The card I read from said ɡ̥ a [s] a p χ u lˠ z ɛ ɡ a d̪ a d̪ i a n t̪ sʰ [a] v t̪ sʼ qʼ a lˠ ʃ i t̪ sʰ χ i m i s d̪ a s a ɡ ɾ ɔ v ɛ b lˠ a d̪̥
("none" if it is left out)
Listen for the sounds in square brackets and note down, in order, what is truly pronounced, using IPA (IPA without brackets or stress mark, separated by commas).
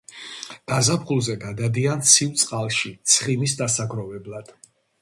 z, i